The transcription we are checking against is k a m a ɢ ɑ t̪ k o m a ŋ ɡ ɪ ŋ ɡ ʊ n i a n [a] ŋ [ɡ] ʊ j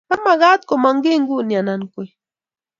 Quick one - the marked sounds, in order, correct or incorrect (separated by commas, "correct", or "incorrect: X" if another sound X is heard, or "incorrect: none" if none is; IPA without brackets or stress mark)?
correct, incorrect: k